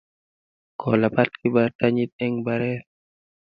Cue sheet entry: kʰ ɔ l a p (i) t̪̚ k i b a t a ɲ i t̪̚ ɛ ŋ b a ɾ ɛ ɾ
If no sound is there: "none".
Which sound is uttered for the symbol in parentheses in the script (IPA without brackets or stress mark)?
a